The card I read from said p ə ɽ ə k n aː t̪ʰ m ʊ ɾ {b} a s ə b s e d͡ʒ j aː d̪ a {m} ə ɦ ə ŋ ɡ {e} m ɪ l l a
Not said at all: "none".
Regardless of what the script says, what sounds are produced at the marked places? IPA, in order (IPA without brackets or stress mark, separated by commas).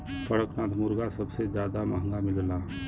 ɡ, m, a